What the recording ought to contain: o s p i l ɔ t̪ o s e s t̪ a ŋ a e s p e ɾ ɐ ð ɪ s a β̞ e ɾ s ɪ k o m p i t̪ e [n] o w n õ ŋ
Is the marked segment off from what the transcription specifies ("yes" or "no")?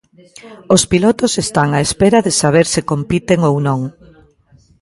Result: yes